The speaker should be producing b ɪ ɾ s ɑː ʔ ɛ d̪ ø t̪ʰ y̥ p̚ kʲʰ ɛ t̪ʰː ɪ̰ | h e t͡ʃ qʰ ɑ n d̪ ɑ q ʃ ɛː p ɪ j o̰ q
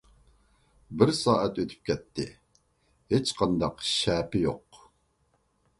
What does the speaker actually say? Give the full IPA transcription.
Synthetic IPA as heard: b ɪ ɾ s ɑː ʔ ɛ t̪ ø t̪ʰ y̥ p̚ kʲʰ ɛ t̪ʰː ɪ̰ | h e t͡ʃ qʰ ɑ n d̪ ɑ q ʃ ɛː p ɪ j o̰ q